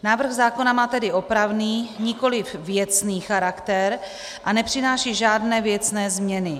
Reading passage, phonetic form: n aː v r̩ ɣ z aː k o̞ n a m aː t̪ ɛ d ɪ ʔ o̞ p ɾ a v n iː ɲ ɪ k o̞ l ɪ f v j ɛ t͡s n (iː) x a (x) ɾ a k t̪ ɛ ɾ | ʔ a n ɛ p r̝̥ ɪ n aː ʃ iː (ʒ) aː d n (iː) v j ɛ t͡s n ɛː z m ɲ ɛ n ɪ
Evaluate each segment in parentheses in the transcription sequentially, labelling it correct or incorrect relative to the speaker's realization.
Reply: correct, incorrect, correct, incorrect

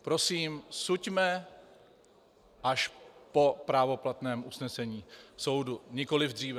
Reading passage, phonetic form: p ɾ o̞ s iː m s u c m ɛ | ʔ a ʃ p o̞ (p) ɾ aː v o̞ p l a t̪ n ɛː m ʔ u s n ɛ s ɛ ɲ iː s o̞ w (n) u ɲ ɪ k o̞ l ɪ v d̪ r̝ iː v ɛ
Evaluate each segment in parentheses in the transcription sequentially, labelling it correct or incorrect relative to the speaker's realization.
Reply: correct, incorrect

